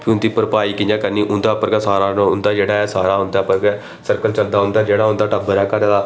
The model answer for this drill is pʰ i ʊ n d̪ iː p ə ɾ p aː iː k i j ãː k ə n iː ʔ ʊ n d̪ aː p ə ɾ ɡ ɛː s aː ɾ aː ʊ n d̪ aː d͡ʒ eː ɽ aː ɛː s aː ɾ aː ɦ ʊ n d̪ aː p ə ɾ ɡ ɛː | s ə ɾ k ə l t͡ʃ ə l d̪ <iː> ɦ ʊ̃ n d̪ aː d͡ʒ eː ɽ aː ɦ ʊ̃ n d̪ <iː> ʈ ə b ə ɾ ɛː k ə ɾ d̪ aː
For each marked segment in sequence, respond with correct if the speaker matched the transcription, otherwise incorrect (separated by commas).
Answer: incorrect, incorrect